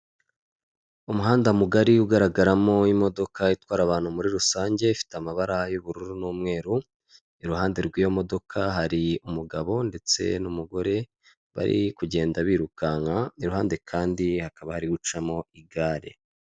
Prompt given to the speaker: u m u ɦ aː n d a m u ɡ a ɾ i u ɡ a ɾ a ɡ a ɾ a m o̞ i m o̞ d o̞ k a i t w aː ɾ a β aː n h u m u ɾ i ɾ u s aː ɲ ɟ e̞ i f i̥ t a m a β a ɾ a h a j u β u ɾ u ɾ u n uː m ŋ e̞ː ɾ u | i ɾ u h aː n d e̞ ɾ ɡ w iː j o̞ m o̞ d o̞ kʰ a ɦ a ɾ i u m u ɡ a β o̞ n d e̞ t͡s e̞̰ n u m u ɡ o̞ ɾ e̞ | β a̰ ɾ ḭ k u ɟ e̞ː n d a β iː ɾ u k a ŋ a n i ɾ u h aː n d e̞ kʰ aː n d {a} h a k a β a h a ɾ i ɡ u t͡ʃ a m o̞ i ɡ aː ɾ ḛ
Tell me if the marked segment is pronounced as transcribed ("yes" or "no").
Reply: no